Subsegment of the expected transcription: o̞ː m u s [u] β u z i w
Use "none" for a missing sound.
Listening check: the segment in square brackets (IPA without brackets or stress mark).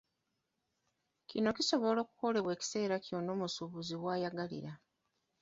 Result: u